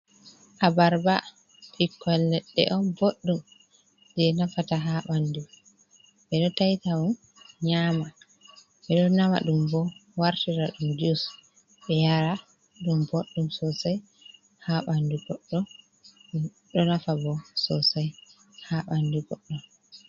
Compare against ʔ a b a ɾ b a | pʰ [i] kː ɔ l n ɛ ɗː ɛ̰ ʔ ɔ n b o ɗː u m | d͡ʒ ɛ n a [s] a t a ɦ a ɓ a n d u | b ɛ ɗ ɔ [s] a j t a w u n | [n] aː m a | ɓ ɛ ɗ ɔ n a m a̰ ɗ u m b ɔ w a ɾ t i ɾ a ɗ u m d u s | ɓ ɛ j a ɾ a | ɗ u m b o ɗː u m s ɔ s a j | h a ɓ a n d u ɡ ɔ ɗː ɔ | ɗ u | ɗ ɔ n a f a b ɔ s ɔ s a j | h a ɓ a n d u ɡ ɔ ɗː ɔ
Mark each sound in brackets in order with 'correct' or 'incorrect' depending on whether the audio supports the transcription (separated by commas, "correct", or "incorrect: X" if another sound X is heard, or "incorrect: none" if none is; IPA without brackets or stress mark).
correct, incorrect: f, incorrect: t, incorrect: ɲ